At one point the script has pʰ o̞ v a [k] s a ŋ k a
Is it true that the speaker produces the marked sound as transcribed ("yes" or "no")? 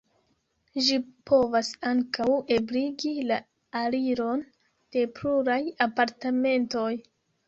no